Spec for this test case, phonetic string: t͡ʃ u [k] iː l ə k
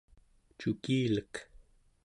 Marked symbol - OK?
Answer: yes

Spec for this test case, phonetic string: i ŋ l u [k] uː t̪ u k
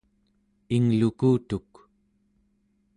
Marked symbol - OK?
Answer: yes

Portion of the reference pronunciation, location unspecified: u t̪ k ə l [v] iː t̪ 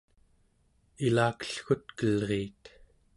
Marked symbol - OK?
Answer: no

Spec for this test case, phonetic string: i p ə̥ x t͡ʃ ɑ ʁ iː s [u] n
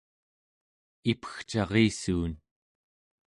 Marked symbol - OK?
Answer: no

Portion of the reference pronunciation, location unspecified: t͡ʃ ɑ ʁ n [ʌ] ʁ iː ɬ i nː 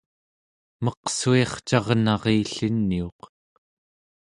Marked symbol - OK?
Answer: no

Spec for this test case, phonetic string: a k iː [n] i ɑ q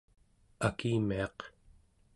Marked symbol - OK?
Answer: no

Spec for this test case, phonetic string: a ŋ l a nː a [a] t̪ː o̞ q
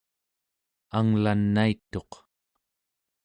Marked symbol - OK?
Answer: no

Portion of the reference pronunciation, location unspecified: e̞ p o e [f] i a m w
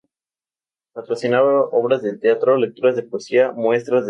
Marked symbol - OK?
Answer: no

